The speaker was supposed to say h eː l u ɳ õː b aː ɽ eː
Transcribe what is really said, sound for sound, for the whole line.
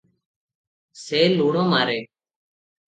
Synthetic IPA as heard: s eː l uː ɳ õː m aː ɾ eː